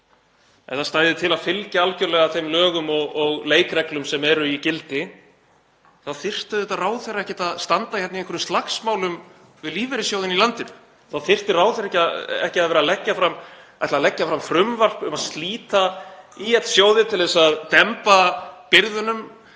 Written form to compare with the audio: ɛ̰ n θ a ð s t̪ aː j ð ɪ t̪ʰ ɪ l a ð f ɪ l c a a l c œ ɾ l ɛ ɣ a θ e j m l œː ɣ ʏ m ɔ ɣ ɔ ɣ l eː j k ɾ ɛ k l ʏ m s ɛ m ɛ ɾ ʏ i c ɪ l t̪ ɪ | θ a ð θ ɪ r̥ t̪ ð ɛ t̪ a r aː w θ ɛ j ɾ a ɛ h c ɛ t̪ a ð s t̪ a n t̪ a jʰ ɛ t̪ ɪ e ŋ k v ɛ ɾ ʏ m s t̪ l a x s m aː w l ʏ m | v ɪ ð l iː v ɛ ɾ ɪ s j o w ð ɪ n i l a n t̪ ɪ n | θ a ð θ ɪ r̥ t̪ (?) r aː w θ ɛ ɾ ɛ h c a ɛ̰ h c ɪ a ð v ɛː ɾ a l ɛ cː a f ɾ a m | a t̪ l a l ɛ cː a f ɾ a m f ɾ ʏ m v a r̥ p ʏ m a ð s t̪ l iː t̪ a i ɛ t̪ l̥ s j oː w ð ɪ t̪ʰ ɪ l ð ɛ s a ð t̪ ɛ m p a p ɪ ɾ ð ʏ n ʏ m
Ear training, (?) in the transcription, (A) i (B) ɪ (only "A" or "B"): B